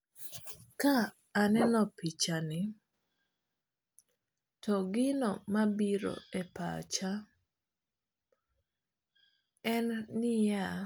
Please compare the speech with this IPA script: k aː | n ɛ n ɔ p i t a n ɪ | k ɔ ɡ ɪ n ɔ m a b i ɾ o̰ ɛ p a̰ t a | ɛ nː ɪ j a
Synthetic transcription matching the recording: k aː | n ɛ n ɔ p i t͡ʃ a n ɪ | t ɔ ɡ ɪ n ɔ m a b i ɾ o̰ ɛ p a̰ t͡ʃ a | ɛ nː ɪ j a